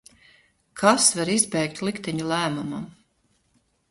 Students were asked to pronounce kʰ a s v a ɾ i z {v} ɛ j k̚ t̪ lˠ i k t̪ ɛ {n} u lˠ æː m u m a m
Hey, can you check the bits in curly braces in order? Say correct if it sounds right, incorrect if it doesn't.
incorrect, incorrect

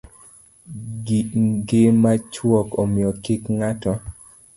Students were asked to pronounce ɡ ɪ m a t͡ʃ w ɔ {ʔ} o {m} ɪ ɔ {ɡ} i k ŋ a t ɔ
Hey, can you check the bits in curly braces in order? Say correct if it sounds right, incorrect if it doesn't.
incorrect, correct, incorrect

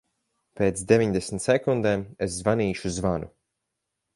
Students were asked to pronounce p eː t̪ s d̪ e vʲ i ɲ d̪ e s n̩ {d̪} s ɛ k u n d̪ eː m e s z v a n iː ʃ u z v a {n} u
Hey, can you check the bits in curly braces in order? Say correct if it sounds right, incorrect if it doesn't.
incorrect, correct

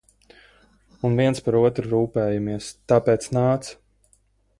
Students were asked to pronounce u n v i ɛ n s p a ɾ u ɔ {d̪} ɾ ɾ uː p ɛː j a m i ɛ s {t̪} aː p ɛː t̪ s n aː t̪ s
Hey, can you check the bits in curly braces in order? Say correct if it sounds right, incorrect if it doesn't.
incorrect, correct

